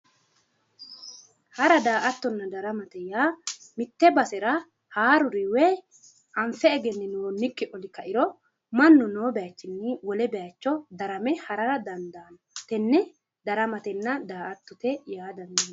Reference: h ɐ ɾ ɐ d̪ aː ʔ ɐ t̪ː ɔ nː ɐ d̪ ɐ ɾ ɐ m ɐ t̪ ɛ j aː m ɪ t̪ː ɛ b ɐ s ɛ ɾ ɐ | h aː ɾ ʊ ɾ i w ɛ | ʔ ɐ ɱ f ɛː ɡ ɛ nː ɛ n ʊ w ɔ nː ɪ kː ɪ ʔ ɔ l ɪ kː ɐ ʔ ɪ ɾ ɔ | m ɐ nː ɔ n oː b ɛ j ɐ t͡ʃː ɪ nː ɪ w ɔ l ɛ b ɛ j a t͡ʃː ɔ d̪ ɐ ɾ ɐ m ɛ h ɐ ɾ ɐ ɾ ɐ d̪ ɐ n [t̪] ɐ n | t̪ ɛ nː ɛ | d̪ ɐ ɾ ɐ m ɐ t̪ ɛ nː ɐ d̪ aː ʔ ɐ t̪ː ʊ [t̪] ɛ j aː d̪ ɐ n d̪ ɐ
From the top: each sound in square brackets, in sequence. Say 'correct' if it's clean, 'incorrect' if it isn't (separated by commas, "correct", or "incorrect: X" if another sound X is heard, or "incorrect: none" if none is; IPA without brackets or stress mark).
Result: incorrect: d̪, correct